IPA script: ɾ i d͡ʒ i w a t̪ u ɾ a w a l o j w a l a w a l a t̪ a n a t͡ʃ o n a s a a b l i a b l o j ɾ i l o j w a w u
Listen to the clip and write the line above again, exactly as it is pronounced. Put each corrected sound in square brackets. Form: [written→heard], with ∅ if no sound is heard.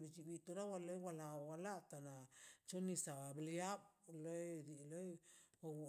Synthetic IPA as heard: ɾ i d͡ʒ i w [a→i] t̪ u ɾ a w a l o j w a l a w a l a t̪ a n a t͡ʃ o n [a→i] s a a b l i a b l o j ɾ i l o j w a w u